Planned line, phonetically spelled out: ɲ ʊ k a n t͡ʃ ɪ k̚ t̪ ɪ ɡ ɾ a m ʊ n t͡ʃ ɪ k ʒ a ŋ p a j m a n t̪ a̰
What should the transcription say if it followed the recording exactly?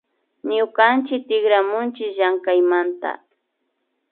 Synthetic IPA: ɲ ʊ k a n t͡ʃ ɪ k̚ t̪ ɪ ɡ ɾ a m ʊ n t͡ʃ ɪ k ʒ a ŋ k a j m a n t̪ a̰